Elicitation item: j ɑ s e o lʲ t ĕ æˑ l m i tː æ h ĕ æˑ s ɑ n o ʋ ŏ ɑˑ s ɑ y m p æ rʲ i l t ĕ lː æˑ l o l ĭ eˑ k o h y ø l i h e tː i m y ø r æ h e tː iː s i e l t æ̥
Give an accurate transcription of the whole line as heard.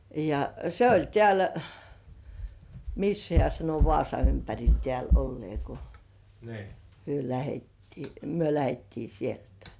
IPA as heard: j ɑ s e o lʲ t ĕ æˑ l m i sː æ h ĕ æˑ s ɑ n o ʋ ŏ ɑˑ s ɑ y m p æ rʲ i l t ĕ æˑ l o lː ĭ eˑ k o h y ø l æ h e tː iː m y ø l æ h e tː iː s i e l t æ̥